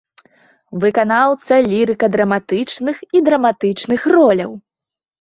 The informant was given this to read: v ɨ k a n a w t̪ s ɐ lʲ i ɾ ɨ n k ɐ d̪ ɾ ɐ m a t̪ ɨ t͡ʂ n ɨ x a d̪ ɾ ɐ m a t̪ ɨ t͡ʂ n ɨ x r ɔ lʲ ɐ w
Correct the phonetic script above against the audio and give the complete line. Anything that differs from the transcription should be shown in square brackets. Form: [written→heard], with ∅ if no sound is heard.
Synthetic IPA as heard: v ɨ k a n a w t̪ s ɐ lʲ i ɾ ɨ [n→∅] k ɐ d̪ ɾ ɐ m a t̪ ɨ t͡ʂ n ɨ x [a→i] d̪ ɾ ɐ m a t̪ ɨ t͡ʂ n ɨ x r ɔ lʲ ɐ w